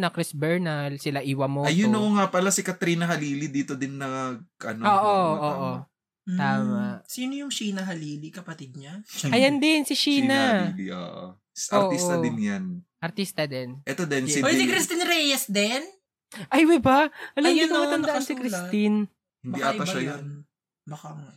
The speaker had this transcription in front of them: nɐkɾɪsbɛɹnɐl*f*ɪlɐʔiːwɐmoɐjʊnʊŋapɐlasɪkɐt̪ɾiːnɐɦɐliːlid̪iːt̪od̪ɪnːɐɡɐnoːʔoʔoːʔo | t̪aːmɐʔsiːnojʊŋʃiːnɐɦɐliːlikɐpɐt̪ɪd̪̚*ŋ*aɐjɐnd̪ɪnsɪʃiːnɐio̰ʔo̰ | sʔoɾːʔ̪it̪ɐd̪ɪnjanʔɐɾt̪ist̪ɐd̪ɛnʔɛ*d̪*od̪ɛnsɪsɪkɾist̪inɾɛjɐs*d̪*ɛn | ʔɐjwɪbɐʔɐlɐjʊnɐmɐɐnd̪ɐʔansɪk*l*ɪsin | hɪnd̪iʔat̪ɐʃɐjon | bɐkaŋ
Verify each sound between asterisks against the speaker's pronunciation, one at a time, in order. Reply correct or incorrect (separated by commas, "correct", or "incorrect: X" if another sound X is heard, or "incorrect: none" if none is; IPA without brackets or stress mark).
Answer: incorrect: s, incorrect: ɲ, incorrect: t̪, correct, incorrect: ɾ